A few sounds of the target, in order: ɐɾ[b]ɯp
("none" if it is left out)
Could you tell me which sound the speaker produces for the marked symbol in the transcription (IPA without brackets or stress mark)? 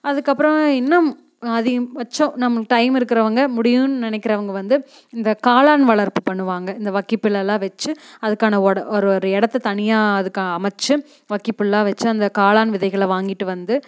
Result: p